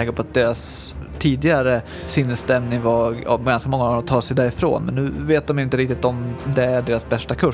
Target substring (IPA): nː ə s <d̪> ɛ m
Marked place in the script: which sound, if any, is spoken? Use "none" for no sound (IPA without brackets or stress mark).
t̪